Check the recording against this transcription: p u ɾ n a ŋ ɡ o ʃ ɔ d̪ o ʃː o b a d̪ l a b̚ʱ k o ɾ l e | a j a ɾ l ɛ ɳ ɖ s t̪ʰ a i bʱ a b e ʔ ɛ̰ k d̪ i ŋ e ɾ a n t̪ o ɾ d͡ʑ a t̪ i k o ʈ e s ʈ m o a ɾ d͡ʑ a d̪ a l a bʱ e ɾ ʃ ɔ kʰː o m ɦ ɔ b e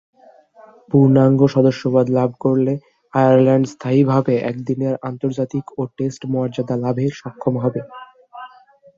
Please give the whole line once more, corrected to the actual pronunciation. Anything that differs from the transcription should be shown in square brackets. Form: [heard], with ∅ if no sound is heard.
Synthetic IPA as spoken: p u ɾ n a ŋ ɡ o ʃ ɔ d̪ o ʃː o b a d̪ l a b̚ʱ k o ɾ l e | a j a ɾ l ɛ ɳ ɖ s t̪ʰ a i bʱ a b e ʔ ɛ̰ k d̪ i [n] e ɾ a n t̪ o ɾ d͡ʑ a t̪ i k o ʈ e s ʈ m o a ɾ d͡ʑ a d̪ a l a bʱ e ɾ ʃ ɔ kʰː o m ɦ ɔ b e

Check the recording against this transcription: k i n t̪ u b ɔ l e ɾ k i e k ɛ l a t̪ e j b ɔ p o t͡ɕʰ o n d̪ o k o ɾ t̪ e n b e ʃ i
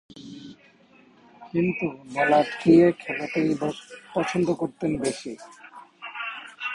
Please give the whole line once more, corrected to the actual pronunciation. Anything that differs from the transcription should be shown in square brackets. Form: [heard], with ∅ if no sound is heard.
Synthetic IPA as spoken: k i n t̪ u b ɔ l [a] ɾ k i e [kʰ] ɛ l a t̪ e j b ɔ p [ɔ] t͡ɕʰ o n d̪ o k o ɾ t̪ e n b e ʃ i

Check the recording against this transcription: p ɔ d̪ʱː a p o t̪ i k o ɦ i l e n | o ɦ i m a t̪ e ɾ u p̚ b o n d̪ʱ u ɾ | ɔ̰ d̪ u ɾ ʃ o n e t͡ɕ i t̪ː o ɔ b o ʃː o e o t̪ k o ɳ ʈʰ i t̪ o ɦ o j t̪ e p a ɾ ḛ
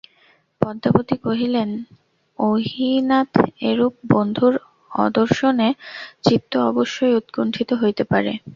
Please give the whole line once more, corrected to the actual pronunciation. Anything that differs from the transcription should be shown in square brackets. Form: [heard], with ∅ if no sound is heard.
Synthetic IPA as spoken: p ɔ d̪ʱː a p o t̪ i k o ɦ i l e n | o ɦ i [n] a t̪ e ɾ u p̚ b o n d̪ʱ u ɾ | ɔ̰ d̪ [o] ɾ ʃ o n e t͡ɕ i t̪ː o ɔ b o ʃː o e [u] t̪ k o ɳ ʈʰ i t̪ o ɦ o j t̪ e p a ɾ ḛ

